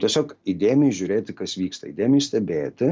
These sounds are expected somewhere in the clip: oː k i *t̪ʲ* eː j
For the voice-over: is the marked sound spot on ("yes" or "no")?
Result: no